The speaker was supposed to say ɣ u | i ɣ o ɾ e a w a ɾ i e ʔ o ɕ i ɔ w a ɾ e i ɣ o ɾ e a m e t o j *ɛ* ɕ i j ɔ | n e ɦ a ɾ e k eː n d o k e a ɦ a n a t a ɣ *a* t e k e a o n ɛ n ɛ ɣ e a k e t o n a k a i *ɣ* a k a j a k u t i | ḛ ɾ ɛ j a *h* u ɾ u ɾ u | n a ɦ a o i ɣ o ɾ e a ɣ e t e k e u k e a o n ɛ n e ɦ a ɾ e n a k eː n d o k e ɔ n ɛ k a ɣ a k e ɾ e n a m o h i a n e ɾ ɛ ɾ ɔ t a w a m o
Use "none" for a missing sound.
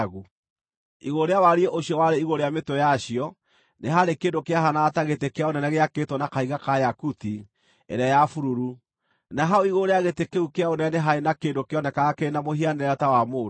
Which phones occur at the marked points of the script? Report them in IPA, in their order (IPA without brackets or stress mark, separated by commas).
a, e, ɣ, f